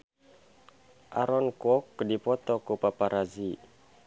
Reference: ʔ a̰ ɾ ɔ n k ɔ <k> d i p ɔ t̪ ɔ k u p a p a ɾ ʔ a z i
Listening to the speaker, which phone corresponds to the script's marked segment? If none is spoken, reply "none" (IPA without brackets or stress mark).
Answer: k